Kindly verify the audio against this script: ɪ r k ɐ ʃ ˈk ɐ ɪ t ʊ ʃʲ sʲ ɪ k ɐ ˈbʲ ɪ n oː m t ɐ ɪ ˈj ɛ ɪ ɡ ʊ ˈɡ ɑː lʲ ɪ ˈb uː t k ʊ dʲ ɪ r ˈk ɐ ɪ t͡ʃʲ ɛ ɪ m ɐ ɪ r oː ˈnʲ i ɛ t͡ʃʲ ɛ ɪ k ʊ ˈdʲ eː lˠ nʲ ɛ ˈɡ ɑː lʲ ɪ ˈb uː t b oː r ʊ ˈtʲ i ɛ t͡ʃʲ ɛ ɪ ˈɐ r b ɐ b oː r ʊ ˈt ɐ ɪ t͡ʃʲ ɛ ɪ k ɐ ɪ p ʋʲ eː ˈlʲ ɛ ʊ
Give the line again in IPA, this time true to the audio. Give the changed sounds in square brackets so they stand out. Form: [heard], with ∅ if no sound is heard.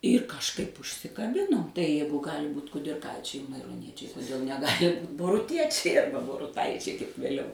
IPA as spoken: ɪ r k ɐ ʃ ˈk ɐ ɪ [p] ʊ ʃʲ sʲ ɪ k ɐ ˈbʲ ɪ n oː m t ɐ ɪ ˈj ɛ ɪ ɡ ʊ ˈɡ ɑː lʲ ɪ ˈb uː t k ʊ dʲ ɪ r ˈk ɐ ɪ t͡ʃʲ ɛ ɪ m ɐ ɪ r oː ˈnʲ i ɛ t͡ʃʲ ɛ ɪ k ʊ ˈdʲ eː lˠ nʲ ɛ ˈɡ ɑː lʲ ɪ ˈb uː t b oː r ʊ ˈtʲ i ɛ t͡ʃʲ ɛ ɪ ˈɐ r b ɐ b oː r ʊ ˈt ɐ ɪ t͡ʃʲ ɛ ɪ k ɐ ɪ p ʋʲ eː ˈlʲ ɛ ʊ